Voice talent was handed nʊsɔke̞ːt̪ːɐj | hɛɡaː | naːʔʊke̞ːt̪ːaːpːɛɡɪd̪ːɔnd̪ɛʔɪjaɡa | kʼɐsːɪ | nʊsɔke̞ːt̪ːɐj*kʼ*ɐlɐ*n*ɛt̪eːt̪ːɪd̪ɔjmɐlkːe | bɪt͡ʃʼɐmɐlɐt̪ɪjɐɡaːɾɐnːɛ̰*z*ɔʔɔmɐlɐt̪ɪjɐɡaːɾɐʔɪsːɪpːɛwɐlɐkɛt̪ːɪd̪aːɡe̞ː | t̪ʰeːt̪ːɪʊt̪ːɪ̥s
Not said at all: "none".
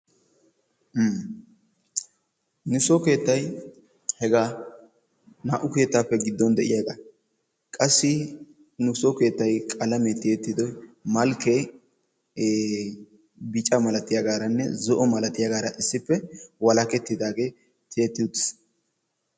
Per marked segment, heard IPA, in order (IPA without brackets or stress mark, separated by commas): kʼ, m, z